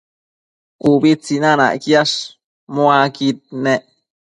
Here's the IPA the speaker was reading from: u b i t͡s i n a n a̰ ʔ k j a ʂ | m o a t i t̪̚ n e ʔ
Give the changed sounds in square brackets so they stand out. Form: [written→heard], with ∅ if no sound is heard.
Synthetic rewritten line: u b i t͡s i n a n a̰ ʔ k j a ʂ | m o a [t→k] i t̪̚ n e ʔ